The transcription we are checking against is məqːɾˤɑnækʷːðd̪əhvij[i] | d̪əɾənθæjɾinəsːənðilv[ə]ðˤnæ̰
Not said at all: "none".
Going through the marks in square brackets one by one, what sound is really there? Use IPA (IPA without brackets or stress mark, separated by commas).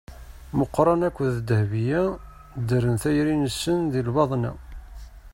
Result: æ, ɑ